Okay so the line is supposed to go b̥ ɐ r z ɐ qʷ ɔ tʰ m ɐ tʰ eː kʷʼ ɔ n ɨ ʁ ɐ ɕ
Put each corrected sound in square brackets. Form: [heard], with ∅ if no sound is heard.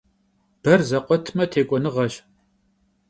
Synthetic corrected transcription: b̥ ɐ r z ɐ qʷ ɔ tʰ m ɐ tʰ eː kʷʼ ɔ n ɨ ʁ ɐ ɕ